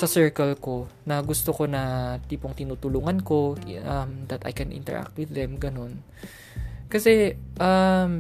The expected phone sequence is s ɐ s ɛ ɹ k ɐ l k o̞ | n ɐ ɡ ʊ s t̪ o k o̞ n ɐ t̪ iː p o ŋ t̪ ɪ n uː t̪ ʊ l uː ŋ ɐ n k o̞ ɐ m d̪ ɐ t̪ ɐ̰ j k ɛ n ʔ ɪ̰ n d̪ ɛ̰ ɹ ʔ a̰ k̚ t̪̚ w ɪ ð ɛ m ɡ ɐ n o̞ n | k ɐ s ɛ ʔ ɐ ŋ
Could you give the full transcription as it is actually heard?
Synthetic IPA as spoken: s ɐ s ɛ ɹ k ɐ l k o̞ | n ɐ ɡ ʊ s t̪ o k o̞ n ɐ t̪ iː p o ŋ t̪ ɪ n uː t̪ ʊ l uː ŋ ɐ n k o̞ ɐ m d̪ ɐ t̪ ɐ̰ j k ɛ n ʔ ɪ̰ n t̪ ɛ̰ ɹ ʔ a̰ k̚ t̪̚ w ɪ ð ɛ m ɡ ɐ n o̞ n | k ɐ s ɛ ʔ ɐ m